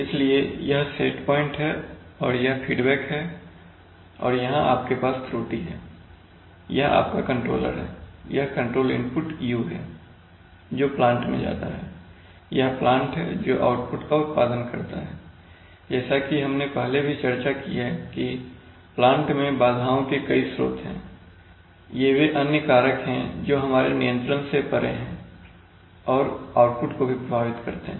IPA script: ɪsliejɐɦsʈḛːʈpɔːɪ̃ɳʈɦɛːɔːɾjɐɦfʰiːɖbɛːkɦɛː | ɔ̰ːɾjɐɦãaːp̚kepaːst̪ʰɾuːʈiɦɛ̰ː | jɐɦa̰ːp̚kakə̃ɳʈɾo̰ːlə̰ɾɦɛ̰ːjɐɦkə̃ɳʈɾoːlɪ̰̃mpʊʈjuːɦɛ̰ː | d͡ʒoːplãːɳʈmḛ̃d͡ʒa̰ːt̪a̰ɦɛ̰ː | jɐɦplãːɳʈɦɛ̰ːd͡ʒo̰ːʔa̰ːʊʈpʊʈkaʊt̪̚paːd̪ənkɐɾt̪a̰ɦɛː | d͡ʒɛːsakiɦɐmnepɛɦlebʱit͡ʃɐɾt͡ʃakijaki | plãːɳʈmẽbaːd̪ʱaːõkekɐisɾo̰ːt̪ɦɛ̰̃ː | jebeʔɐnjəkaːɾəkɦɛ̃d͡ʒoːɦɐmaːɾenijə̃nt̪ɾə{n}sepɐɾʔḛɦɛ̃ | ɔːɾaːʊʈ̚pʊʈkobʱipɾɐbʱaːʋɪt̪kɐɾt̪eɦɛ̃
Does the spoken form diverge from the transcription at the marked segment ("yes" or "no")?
no